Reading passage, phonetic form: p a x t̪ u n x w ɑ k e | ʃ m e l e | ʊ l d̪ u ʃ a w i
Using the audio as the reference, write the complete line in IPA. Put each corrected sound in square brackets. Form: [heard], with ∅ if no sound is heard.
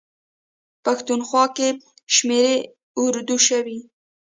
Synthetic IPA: p a x t̪ u n x w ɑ k e | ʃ m e [ɾ] e | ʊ [ɾ] d̪ u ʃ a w i